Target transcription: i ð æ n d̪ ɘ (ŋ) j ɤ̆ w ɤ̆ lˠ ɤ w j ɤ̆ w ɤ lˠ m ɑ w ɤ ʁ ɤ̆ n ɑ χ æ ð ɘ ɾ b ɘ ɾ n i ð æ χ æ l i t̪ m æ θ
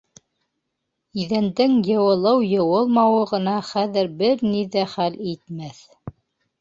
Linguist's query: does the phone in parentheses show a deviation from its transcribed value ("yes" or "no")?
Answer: no